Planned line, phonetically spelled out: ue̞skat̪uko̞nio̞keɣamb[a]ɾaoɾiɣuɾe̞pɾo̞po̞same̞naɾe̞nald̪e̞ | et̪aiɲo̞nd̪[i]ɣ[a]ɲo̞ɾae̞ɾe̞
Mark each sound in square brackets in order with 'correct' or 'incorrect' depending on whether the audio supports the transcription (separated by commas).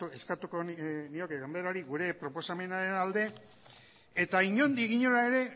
incorrect, correct, incorrect